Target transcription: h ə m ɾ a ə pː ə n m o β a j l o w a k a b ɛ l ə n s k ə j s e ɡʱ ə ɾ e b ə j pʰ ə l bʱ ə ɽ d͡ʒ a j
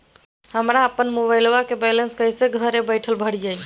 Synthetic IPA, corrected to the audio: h ə m ɾ a ə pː ə n m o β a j l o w a k e b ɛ l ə n s k ə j s e ɡʱ ə ɾ e b ə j ʈʰ ə l bʱ ə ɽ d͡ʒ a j